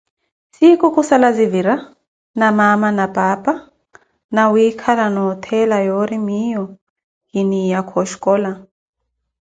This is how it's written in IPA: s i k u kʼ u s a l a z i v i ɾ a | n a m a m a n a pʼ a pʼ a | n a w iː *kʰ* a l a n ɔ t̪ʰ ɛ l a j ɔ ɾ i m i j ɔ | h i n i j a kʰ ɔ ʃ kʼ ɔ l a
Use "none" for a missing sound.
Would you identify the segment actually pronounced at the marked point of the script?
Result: kʰ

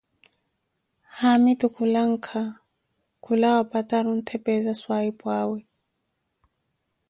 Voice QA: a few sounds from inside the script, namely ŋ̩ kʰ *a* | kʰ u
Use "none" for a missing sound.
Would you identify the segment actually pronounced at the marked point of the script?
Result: a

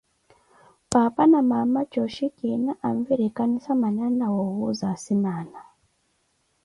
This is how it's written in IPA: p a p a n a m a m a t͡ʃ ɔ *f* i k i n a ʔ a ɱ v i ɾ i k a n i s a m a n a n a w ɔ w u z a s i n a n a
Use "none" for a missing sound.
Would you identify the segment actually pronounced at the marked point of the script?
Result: ʃ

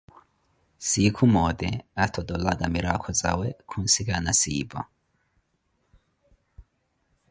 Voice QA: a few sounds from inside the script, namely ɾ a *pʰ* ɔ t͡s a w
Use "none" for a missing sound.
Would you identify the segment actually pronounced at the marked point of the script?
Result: kʰ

